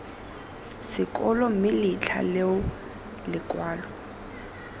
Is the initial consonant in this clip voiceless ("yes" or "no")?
yes